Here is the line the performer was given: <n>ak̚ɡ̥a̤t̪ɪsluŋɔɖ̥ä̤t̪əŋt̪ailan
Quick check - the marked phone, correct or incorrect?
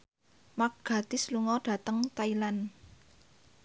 incorrect